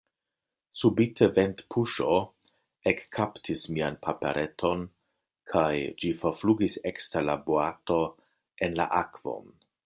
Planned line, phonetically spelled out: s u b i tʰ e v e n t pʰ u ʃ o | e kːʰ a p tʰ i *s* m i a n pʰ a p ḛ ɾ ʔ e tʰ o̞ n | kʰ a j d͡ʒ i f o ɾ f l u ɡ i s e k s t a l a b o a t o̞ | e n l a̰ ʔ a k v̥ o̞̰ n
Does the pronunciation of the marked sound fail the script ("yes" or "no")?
no